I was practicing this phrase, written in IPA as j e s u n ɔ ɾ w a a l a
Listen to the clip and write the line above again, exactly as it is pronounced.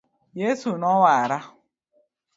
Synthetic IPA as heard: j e s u n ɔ w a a ɾ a